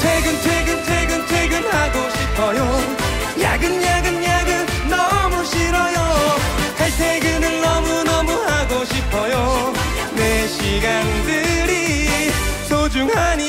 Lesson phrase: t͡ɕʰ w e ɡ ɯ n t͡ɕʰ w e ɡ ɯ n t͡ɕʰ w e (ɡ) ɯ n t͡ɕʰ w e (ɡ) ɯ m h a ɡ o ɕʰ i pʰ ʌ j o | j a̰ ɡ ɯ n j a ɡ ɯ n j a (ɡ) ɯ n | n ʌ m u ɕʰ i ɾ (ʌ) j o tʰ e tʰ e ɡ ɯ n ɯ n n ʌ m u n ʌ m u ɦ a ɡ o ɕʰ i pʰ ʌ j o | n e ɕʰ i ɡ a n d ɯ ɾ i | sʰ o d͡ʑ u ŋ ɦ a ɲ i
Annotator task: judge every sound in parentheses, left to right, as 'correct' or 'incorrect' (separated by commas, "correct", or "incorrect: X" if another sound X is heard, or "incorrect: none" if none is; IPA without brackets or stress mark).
correct, correct, correct, correct